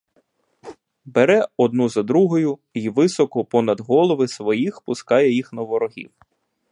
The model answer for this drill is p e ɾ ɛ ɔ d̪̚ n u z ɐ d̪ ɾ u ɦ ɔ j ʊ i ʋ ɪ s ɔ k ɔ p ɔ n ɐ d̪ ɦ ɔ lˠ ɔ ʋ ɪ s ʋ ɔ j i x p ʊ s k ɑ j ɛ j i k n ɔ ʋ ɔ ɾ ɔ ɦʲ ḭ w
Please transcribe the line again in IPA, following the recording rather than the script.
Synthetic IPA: b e ɾ ɛ ɔ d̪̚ n u z ɐ d̪ ɾ u ɦ ɔ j ʊ i ʋ ɪ s ɔ k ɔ p ɔ n ɐ d̪ ɦ ɔ lˠ ɔ ʋ ɪ s ʋ ɔ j i x p ʊ s k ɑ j ɛ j i x n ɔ ʋ ɔ ɾ ɔ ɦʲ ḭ w